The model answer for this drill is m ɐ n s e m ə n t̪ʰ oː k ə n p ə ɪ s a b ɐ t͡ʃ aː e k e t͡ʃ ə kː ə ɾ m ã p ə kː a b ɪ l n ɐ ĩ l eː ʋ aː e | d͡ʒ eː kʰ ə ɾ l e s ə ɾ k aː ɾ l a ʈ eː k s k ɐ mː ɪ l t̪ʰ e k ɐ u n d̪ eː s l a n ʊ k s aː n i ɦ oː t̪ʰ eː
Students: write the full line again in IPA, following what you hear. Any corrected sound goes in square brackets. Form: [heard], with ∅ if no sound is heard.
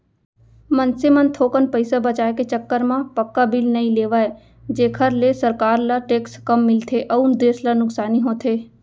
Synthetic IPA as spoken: m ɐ n s e m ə n t̪ʰ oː k ə n p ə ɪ s a b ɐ t͡ʃ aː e k e t͡ʃ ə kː ə ɾ m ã p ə kː a b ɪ l n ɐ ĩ l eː ʋ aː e | d͡ʒ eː kʰ ə ɾ l e s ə ɾ k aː ɾ l a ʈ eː k s k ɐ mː ɪ l t̪ʰ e [ʔ] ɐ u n d̪ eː s l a n ʊ k s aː n i ɦ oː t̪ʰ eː